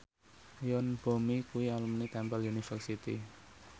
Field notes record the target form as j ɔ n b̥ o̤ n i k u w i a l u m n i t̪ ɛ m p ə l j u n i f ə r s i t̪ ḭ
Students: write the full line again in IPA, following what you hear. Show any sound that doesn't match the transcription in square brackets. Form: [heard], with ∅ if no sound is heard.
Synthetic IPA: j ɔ n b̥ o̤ [m] i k u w i a l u m n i t̪ ɛ m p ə l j u n i f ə r s i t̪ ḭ